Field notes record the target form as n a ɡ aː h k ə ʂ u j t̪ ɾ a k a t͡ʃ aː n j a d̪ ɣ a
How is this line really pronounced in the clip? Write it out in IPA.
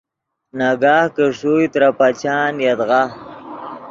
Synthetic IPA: n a ɡ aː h k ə ʂ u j t̪ ɾ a p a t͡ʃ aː n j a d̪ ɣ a